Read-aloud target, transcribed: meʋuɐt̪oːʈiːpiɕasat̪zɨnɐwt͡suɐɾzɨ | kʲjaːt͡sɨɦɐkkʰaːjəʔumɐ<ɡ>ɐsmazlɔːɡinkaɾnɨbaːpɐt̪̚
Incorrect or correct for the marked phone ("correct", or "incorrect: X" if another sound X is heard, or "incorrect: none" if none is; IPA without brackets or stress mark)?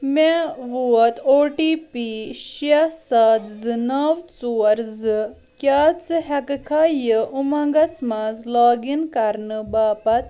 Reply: correct